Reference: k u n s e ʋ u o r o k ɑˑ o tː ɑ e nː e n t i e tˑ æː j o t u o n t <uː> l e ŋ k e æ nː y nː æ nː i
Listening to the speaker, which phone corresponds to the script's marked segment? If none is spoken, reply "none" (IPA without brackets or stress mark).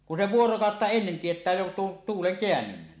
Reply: uː